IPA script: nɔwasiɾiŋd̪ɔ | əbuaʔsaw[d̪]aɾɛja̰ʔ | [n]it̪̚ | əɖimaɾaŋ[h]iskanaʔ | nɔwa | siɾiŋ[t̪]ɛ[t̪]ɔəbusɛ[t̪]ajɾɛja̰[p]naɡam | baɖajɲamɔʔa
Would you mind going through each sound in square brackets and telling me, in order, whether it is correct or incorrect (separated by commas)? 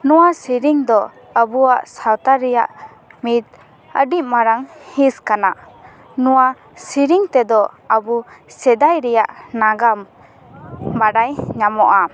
incorrect, incorrect, correct, correct, incorrect, incorrect, incorrect